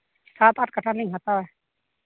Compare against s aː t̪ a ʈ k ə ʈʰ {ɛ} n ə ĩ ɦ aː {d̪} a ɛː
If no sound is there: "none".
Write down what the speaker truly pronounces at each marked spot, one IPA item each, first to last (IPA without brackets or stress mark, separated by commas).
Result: a, t̪